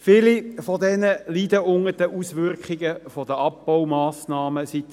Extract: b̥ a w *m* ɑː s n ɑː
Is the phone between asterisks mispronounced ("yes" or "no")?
no